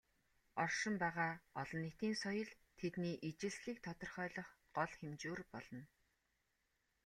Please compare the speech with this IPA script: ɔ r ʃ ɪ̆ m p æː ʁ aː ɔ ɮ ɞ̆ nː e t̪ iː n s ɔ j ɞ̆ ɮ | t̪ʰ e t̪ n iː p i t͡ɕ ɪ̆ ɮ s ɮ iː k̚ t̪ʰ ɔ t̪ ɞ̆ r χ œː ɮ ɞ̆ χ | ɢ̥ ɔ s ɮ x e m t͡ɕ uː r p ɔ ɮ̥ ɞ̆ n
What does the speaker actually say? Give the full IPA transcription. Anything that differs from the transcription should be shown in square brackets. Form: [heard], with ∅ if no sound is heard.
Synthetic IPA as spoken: ɔ r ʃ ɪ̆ m p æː ʁ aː ɔ ɮ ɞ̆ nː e t̪ iː n s ɔ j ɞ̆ ɮ | t̪ʰ e t̪ n iː [ʔ] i t͡ɕ ɪ̆ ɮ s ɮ iː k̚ t̪ʰ ɔ t̪ ɞ̆ r χ œː ɮ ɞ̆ χ | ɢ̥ ɔ [∅] ɮ x e m t͡ɕ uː r p ɔ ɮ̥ ɞ̆ n